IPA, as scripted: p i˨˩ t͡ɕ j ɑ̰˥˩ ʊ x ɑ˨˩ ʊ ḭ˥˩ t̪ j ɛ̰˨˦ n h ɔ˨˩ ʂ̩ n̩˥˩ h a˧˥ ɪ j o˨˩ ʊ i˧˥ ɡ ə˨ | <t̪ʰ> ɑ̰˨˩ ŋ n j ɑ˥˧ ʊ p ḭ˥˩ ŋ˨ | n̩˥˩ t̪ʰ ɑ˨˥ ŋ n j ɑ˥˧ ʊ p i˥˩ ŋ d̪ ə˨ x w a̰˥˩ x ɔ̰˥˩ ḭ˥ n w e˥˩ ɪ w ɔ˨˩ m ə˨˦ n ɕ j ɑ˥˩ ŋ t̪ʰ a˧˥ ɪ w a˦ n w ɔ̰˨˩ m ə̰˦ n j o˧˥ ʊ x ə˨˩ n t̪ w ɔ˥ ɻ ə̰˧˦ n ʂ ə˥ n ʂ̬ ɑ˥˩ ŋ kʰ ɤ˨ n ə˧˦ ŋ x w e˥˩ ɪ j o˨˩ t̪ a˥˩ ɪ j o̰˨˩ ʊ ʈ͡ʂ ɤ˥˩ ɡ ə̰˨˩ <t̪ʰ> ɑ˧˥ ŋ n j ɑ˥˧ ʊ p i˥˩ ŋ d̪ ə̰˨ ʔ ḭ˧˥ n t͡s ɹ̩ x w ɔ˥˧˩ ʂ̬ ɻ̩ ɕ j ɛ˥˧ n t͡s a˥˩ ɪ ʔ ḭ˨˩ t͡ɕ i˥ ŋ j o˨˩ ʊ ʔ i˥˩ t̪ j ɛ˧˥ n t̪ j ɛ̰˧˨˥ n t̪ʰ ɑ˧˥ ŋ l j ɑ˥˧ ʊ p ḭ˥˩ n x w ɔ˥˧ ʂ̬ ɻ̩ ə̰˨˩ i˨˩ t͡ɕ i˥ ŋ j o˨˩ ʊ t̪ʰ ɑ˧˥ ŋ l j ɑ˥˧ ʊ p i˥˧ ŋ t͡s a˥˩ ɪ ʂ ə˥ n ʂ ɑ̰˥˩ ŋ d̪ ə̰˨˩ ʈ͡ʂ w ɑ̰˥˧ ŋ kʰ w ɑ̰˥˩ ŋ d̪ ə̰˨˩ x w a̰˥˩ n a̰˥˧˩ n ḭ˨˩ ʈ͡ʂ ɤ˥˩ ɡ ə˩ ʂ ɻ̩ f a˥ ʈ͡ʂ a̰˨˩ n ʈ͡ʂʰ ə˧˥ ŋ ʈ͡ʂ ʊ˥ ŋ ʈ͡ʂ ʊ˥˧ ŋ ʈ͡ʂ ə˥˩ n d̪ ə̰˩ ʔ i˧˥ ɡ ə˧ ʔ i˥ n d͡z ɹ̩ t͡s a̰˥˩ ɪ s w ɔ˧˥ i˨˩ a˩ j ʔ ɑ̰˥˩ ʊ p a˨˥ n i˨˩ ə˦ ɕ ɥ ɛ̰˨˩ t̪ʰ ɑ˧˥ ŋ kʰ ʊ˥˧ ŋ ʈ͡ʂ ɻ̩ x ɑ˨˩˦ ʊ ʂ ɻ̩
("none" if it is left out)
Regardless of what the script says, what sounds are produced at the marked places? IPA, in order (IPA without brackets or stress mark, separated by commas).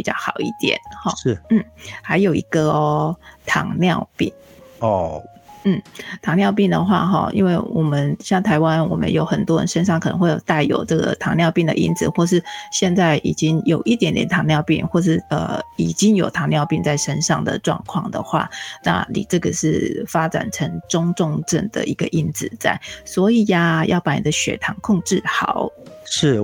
t̪ʰ, t̪ʰ